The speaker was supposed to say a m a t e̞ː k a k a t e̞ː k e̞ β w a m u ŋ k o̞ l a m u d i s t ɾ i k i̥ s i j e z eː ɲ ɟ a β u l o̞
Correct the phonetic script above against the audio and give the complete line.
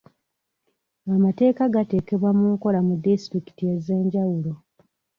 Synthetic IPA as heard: a m a t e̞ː k a ɡ a t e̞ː k e̞ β w a m u ŋ k o̞ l a m u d i s t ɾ i k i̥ t i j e z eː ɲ ɟ a w u l o̞